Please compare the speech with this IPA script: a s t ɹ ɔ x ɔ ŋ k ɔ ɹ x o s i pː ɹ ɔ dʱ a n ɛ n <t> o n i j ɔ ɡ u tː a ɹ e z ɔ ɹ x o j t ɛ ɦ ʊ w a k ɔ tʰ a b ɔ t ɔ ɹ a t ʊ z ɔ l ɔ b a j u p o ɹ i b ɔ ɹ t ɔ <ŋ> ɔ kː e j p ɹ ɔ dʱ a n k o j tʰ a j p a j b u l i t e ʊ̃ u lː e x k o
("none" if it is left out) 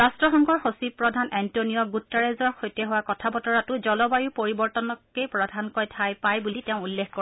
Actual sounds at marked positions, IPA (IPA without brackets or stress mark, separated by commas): t, n